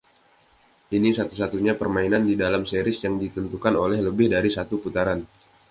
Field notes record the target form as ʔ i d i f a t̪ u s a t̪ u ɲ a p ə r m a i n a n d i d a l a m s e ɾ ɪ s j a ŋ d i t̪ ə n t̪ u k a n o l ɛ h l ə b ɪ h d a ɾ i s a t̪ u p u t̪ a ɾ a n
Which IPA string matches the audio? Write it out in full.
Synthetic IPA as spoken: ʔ i n i s a t̪ u s a t̪ u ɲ a p ə r m a i n a n d i d a l a m s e ɾ ɪ s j a ŋ d i t̪ ə n t̪ u k a n o l ɛ h l ə b ɪ h d a ɾ i s a t̪ u p u t̪ a ɾ a n

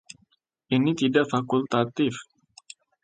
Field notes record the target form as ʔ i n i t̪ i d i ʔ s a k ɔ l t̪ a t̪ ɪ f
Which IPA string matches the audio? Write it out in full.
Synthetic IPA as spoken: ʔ i n i t̪ i d a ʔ f a k u l t̪ a t̪ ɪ f

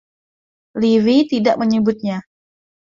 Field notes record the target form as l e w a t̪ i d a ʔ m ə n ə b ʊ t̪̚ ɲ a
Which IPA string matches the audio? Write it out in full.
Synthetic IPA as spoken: l i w i t̪ i d a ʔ m ə ɲ ə b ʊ t̪̚ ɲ a

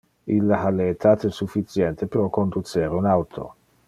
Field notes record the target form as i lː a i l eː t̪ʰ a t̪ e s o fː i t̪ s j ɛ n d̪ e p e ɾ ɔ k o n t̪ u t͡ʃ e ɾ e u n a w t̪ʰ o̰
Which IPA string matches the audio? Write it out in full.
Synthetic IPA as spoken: i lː a a l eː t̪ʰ a t̪ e s u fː i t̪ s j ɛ n t̪ e p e ɾ ɔ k o n d̪ u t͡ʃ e ɾ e u n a w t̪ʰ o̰

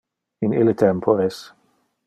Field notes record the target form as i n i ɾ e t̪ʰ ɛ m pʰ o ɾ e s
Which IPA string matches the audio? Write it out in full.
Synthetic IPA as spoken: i n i l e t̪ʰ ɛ m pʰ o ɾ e s

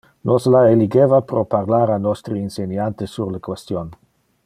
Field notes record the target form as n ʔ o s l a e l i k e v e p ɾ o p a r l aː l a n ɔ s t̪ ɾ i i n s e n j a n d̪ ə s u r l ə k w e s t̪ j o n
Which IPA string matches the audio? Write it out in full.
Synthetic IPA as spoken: n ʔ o s l a e l i ɡ e v a p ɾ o p a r l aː ɾ a n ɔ s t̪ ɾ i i n s e n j a n t̪ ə s u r l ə k w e s t̪ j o n

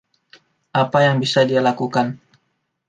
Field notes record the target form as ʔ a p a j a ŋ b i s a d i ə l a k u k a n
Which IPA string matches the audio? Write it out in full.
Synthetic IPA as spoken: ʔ a p a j a ŋ b i s a d i a l a k u k a n

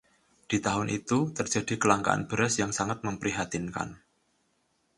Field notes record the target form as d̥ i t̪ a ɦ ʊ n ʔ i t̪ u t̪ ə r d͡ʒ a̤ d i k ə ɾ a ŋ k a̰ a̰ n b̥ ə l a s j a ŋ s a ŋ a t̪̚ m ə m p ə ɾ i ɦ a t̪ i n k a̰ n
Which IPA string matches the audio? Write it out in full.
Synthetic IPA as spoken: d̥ i t̪ a ɦ ʊ n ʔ i t̪ u t̪ ə r d͡ʒ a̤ d i k ə l a ŋ k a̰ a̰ n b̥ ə ɾ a s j a ŋ s a ŋ a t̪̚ m ə m p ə ɾ i ɦ a t̪ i n k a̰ n

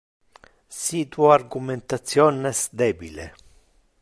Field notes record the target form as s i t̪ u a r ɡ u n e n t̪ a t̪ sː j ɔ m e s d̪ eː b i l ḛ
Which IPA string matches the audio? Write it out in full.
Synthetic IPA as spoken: s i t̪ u a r ɡ u m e n t̪ a t̪ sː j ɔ n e s d̪ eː b i l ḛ

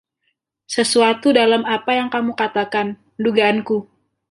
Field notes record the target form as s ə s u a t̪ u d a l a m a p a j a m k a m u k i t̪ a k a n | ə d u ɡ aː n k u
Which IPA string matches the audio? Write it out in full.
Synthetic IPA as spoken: s ə s u a t̪ u d a l a m a p a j a ŋ k a m u k a t̪ a k a n | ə d u ɡ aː n k u

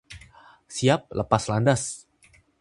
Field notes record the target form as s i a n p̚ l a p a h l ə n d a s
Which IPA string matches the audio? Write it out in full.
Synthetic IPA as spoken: s i a p̚ l ə p a s l a n d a s

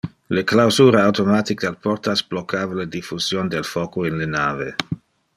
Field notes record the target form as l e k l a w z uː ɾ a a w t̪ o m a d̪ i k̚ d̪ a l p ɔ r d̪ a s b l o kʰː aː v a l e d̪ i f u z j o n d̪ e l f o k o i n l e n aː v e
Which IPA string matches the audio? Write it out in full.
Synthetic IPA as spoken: l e k l a w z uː ɾ a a w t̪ o m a t̪ i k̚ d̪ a l p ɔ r t̪ a s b l o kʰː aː v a l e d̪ i f u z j o n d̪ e l f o k o i n l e n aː v e

